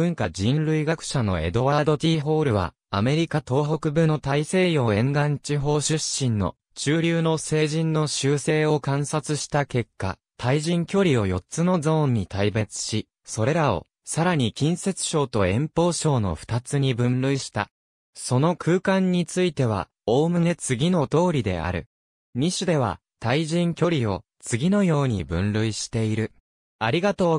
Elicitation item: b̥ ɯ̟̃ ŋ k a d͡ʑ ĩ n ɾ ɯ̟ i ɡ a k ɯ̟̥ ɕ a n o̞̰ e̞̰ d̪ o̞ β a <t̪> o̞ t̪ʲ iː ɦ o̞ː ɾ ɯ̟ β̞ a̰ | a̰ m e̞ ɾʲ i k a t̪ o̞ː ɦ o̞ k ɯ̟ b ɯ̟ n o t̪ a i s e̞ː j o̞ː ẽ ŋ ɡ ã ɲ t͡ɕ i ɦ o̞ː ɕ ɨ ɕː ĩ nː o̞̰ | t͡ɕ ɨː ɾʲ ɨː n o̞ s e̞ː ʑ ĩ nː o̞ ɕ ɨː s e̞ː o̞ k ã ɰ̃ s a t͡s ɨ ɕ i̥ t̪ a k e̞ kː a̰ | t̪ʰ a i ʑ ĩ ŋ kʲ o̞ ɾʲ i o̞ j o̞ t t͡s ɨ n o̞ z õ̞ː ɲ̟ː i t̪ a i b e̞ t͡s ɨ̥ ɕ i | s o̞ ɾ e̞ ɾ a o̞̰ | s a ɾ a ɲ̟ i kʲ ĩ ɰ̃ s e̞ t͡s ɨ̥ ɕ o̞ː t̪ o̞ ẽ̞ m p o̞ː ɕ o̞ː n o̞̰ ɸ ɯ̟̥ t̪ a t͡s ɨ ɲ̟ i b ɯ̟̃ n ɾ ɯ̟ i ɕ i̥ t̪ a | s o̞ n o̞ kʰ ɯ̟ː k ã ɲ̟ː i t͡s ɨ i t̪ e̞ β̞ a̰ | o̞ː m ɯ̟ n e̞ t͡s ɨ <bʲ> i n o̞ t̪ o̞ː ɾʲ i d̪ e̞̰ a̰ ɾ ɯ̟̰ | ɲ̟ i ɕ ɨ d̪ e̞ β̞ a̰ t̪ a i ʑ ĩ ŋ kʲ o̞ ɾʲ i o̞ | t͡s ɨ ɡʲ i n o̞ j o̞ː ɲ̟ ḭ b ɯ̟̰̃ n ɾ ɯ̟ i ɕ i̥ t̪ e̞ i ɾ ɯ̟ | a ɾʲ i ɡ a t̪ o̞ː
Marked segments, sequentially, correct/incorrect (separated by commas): incorrect, incorrect